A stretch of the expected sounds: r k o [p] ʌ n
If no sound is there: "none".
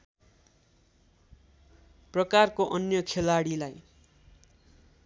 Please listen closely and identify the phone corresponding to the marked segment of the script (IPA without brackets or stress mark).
ʔ